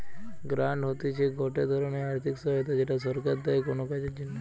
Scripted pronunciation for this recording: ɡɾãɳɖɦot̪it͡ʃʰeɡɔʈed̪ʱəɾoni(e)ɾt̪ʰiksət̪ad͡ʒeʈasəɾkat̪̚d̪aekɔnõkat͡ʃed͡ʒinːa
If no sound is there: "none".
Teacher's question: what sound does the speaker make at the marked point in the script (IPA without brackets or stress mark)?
a